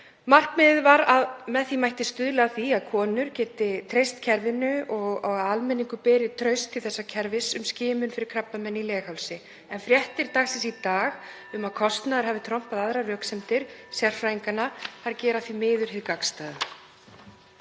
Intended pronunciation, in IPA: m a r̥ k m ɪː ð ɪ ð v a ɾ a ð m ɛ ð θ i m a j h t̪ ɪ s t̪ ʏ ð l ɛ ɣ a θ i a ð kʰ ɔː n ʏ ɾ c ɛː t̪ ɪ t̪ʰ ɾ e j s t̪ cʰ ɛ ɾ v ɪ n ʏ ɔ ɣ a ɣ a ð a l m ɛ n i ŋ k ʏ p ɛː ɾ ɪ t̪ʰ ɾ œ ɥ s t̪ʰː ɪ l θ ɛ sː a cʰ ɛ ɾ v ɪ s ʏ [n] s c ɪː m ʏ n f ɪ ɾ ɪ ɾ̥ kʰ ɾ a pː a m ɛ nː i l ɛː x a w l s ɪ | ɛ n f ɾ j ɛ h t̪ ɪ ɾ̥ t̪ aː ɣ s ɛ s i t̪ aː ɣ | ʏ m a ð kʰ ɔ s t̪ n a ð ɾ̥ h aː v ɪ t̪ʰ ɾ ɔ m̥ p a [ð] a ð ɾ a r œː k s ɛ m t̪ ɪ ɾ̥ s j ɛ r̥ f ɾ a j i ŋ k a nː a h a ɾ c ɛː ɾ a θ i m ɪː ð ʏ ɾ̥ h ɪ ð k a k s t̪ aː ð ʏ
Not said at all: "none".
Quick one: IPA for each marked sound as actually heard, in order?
m, ð

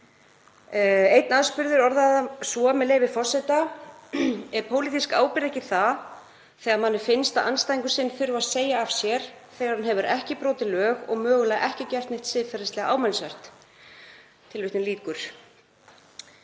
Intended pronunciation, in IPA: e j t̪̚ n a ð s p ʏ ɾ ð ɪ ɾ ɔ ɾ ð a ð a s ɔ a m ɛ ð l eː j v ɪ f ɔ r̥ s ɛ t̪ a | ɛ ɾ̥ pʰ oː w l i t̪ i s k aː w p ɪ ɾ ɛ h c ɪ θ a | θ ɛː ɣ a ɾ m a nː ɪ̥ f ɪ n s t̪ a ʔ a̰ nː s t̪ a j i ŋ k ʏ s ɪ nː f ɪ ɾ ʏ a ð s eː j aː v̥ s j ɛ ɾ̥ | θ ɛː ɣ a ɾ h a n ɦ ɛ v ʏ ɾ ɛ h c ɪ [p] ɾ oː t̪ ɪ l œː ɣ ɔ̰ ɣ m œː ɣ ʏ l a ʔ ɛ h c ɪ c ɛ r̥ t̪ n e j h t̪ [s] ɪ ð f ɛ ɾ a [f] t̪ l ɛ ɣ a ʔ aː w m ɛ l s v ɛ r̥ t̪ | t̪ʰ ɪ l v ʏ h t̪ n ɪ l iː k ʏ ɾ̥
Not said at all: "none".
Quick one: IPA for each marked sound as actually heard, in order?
p, s, s

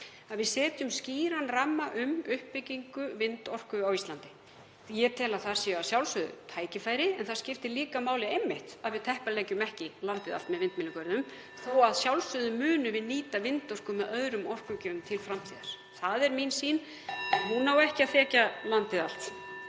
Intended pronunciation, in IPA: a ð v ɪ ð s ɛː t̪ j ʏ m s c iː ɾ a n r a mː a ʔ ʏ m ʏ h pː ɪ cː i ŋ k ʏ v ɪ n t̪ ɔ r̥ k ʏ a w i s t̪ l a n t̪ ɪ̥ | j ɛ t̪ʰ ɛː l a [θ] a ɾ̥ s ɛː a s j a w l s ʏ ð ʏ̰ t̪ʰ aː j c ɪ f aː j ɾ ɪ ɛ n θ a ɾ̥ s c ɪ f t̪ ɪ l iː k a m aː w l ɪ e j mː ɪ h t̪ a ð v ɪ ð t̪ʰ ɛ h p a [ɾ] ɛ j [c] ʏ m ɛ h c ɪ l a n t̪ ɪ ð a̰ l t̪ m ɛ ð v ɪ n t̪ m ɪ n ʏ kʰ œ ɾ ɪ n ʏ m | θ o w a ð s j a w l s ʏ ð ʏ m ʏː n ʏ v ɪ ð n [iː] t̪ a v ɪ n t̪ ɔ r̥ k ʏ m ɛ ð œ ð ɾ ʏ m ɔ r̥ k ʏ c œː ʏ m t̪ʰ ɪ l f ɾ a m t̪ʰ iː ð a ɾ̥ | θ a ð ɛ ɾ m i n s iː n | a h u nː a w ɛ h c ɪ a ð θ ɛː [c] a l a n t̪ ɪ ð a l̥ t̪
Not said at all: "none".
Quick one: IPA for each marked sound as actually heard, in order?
θ, l, c, iː, c

